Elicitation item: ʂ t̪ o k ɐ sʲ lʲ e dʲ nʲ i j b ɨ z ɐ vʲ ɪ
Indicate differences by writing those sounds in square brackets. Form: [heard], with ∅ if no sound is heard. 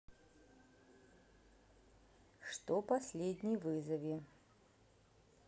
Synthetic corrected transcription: ʂ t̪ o [p] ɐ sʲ lʲ e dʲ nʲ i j [v] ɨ z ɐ vʲ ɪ